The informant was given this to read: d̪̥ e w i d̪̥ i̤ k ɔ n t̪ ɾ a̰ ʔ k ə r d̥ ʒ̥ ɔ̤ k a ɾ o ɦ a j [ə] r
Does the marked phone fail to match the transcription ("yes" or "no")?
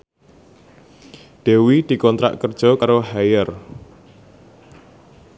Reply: no